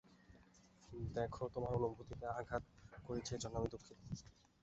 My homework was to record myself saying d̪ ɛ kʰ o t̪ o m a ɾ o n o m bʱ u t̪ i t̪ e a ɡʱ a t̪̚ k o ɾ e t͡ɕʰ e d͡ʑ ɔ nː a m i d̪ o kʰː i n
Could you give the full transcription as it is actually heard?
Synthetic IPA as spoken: d̪ ɛ kʰ o t̪ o m a ɾ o n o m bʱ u t̪ i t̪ e a ɡʱ a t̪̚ k o ɾ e t͡ɕʰ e d͡ʑ ɔ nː a m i d̪ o kʰː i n